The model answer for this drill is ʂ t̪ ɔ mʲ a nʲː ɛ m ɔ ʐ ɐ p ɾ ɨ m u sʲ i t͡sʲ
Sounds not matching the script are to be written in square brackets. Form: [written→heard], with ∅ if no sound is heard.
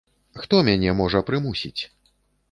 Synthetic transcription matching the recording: [ʂ→x] t̪ ɔ mʲ a [nʲː→nʲ] ɛ m ɔ ʐ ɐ p ɾ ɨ m u sʲ i t͡sʲ